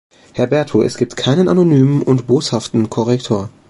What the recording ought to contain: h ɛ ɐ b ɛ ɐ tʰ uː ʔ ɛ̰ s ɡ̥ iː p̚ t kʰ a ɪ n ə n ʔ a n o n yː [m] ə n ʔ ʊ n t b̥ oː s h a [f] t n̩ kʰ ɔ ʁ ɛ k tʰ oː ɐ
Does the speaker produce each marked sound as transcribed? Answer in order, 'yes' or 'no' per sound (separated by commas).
yes, yes